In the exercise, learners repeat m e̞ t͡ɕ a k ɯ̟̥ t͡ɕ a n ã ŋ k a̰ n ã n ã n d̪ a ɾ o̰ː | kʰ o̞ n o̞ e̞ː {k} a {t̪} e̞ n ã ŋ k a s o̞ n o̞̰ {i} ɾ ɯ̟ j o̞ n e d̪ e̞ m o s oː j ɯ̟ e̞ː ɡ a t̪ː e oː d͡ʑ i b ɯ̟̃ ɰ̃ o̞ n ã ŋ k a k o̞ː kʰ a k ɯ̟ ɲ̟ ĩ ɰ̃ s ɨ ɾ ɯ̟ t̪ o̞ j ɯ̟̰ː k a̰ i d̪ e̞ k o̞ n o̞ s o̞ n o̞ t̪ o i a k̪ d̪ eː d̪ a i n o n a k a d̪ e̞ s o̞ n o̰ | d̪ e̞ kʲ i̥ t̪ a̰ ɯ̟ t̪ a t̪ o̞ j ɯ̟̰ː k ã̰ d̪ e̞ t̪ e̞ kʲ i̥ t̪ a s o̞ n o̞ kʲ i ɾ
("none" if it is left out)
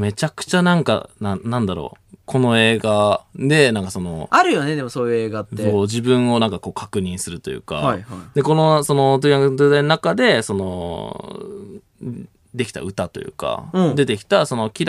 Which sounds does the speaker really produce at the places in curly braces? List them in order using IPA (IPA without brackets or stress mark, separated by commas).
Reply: ɡ, d̪, a